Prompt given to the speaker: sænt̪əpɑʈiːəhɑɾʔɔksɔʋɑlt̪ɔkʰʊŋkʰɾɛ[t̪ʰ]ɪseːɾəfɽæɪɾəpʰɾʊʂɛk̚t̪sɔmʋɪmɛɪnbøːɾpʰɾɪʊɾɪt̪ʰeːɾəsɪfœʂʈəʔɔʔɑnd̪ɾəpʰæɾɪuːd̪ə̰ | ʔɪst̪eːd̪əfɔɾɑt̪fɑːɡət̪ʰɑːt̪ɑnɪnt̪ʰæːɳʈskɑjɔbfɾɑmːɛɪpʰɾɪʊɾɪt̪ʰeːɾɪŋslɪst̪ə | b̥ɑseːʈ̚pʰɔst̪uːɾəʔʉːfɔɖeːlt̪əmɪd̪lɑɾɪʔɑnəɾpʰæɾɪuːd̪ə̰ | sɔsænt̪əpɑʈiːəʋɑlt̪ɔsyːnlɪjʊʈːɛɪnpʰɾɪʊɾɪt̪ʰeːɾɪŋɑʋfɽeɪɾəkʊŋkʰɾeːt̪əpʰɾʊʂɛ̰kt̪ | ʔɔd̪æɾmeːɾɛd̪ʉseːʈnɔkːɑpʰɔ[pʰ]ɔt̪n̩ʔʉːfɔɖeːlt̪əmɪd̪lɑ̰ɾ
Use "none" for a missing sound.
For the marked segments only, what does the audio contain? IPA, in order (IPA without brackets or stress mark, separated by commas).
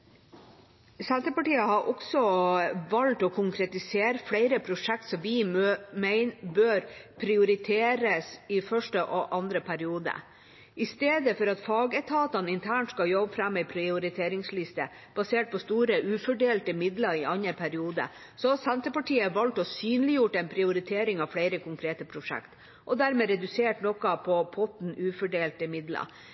t̪, pʰ